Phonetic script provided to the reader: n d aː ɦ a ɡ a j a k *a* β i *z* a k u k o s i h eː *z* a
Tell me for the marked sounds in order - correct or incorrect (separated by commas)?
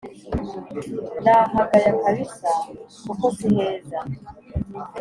correct, incorrect, correct